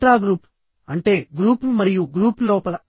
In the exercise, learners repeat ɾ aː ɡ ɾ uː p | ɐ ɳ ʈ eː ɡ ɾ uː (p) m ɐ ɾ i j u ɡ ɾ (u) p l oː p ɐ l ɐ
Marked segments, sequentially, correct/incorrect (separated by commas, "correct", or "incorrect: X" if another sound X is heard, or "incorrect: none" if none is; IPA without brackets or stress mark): correct, incorrect: uː